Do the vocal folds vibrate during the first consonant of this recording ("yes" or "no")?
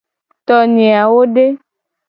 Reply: no